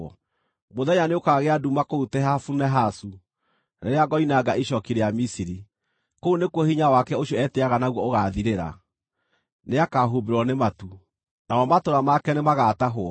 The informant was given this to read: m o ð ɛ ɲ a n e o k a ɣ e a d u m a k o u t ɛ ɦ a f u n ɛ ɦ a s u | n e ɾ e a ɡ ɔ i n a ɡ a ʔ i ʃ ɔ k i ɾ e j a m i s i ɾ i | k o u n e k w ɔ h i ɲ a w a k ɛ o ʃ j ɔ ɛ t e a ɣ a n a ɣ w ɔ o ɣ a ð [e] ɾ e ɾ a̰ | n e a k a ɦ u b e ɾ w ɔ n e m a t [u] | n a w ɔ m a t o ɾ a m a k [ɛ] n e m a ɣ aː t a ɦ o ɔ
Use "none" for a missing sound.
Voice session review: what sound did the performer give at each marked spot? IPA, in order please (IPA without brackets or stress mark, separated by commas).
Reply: i, u, ɛ